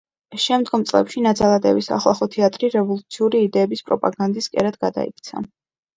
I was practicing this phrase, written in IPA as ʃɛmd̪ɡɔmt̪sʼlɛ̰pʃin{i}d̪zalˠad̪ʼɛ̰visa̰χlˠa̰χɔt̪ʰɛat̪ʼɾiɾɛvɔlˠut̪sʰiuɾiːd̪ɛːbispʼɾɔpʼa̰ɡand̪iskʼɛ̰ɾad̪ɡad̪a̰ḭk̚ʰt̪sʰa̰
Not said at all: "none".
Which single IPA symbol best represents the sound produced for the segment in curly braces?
a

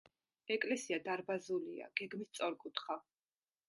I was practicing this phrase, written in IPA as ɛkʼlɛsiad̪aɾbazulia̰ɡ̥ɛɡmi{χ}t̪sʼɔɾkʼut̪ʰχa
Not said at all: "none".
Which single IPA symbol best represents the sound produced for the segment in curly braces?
s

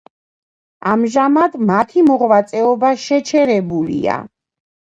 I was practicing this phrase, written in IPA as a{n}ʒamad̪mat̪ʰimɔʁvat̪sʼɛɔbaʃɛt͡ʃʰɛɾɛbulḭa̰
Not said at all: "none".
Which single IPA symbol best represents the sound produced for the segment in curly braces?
m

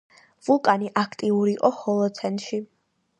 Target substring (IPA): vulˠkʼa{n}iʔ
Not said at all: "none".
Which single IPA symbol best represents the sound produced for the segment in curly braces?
n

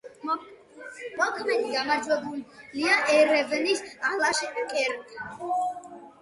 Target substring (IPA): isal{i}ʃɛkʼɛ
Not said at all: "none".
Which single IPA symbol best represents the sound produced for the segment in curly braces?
a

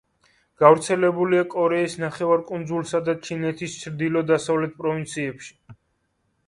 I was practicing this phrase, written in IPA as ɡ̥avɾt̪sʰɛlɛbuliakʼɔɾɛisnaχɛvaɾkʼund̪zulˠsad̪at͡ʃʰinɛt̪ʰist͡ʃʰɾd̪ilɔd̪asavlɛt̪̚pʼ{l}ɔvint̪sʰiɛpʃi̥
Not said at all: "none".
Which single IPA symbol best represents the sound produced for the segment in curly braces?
ɾ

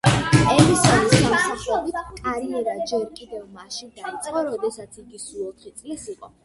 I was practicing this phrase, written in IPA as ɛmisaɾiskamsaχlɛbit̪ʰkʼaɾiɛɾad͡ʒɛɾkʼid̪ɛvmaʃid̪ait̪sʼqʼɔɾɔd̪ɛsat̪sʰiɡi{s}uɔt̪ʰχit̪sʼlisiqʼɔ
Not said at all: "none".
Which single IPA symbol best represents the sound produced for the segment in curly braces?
s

